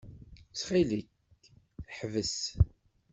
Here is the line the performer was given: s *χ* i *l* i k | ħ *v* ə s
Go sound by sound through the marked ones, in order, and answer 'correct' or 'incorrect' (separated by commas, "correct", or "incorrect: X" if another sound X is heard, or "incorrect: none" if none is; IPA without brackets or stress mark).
correct, correct, correct